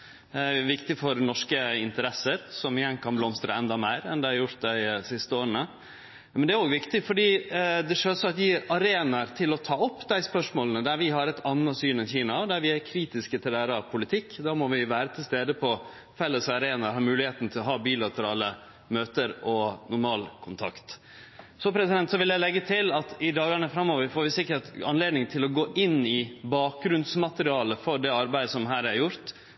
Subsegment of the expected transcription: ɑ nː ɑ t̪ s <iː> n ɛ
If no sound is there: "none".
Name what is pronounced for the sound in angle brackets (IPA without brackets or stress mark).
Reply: yː